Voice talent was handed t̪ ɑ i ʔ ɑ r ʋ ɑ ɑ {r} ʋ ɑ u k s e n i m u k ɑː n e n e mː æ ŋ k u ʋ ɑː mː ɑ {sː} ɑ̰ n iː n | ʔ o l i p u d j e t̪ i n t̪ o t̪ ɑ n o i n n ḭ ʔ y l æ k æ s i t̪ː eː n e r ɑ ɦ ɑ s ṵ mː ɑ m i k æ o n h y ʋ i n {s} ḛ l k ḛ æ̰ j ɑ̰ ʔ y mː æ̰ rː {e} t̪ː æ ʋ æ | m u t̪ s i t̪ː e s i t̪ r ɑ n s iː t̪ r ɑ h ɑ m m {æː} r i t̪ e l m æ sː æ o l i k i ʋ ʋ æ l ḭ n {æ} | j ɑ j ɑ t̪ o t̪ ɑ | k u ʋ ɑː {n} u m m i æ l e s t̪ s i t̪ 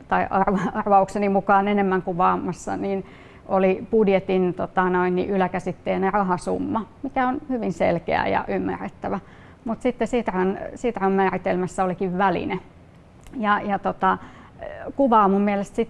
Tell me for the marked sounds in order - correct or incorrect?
correct, correct, correct, correct, correct, incorrect: e, incorrect: m

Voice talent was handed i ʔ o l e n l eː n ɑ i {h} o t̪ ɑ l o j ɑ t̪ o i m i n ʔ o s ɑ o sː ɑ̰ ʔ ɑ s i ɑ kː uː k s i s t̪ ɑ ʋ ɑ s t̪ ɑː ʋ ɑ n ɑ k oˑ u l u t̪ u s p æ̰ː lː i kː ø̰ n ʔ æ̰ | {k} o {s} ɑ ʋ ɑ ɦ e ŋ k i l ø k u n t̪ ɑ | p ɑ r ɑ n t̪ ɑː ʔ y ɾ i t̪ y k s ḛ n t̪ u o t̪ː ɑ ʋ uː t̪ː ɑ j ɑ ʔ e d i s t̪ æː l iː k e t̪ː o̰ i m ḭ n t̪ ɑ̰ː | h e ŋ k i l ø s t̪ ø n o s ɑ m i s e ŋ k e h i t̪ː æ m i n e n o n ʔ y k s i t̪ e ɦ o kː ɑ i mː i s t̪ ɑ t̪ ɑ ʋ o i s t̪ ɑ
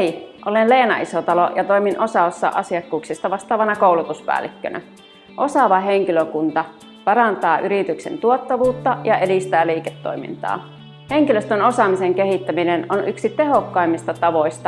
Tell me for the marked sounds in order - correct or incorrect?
incorrect: s, incorrect: ʔ, correct

